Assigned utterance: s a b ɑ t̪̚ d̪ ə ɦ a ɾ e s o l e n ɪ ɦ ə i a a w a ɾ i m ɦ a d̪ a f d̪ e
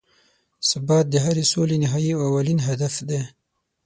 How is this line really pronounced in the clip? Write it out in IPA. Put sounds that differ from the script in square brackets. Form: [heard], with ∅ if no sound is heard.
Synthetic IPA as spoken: s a b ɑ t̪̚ d̪ ə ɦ a ɾ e s o l e n ɪ ɦ [ɑ] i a a w a [l] i [n] ɦ a d̪ a f d̪ e